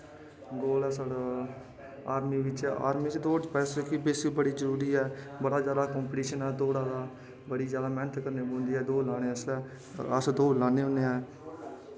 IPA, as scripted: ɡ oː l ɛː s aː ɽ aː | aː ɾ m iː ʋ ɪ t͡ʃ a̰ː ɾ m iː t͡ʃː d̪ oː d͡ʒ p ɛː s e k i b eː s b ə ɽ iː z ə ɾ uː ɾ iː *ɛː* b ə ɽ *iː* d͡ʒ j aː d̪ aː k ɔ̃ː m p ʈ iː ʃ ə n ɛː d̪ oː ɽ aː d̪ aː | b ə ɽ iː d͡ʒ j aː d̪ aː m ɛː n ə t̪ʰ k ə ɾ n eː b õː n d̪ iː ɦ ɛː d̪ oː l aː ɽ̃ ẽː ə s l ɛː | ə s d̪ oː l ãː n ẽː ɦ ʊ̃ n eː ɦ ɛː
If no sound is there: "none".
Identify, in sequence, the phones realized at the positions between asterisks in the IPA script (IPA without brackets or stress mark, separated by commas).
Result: ɛː, aː